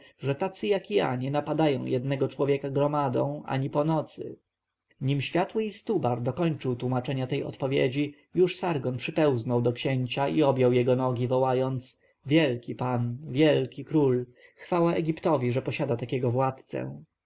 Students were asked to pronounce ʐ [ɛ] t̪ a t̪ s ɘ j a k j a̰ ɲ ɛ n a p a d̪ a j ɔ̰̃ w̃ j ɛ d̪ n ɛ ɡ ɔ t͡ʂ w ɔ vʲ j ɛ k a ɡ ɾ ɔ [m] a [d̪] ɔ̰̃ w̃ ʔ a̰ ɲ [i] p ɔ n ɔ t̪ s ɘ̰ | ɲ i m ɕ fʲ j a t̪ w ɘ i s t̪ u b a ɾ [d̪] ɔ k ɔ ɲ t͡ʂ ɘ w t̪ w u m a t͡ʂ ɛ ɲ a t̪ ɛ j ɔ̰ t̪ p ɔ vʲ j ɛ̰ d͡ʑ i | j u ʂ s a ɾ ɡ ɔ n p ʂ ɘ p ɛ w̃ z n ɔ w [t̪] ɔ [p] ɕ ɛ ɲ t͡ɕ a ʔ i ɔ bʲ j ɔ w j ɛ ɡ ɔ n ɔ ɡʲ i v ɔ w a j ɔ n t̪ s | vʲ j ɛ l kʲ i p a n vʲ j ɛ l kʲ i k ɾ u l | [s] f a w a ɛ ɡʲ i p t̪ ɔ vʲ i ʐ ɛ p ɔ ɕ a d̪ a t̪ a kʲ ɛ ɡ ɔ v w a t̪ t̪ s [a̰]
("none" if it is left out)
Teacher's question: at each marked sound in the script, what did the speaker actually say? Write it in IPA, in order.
ɛ, m, d̪, i, d̪, d̪, k, x, ɛ̰

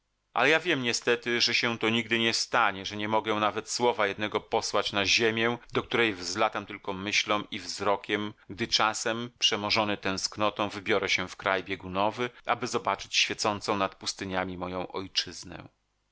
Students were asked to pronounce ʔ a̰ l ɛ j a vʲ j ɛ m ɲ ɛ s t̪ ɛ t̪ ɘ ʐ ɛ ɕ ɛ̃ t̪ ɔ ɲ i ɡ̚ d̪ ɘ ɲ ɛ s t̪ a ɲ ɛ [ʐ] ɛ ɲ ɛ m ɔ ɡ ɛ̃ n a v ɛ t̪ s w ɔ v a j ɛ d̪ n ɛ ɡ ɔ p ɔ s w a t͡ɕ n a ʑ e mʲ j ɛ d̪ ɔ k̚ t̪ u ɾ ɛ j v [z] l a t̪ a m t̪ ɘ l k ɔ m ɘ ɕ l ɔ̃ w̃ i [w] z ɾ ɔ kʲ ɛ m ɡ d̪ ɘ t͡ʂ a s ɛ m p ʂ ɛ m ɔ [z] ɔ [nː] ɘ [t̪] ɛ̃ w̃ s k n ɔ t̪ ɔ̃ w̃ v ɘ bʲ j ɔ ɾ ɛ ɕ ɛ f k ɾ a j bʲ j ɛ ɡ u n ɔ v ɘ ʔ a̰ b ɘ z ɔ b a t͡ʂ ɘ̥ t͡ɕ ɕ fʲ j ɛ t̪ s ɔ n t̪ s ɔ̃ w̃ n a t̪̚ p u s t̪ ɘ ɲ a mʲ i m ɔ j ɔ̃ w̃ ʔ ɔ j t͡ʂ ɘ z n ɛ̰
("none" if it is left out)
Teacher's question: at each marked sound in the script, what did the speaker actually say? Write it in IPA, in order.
ʐ, z, v, ʐ, n, t̪

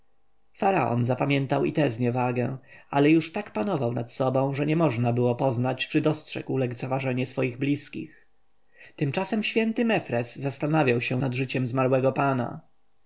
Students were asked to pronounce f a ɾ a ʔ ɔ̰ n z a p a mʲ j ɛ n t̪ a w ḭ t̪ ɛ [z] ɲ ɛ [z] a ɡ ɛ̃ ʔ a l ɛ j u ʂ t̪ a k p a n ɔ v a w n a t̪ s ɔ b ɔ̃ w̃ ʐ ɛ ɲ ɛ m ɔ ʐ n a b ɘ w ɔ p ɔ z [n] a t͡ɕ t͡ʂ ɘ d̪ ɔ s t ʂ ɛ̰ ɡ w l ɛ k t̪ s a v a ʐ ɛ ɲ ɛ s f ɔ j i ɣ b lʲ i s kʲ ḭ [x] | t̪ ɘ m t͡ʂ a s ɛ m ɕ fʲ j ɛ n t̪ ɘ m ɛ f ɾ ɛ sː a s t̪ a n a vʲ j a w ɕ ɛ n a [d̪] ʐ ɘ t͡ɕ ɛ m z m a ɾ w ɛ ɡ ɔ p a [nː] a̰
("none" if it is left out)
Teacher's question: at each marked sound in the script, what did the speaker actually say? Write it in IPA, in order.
z, v, n, x, d̪, n

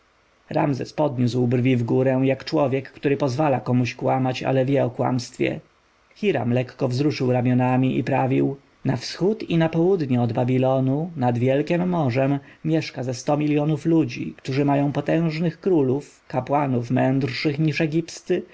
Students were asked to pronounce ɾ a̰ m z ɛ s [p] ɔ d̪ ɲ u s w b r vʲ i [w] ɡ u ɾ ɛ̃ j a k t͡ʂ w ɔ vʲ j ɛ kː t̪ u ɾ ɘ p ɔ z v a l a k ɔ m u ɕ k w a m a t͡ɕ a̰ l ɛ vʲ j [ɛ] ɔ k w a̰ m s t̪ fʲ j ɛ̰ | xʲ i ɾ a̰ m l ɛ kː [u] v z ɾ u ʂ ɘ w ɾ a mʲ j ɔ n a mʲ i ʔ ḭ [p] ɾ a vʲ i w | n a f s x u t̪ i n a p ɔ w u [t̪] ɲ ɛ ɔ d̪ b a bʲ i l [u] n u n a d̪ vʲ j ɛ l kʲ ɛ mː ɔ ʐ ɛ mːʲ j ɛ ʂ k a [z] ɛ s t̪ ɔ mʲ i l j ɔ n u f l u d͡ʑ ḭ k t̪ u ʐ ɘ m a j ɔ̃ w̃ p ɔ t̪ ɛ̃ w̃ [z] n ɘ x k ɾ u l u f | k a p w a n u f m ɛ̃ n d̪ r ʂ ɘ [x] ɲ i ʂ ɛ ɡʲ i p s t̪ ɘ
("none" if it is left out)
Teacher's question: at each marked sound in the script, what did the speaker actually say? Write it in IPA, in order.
p, v, ɛ, ɔ, p, d̪, ɔ, z, ʐ, x

